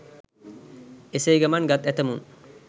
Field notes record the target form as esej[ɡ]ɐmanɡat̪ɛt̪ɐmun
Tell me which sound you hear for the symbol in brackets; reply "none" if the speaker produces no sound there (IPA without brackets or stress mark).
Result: ɡ